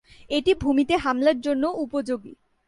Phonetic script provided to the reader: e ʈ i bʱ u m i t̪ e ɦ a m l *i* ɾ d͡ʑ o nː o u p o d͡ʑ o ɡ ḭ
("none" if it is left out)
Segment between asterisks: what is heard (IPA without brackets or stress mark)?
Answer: a